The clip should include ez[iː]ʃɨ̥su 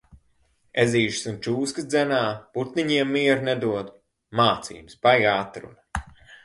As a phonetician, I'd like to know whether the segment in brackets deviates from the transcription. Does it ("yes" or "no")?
no